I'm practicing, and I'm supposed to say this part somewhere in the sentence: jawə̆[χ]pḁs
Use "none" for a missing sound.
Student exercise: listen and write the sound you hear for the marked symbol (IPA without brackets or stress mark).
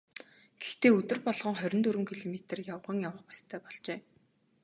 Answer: χ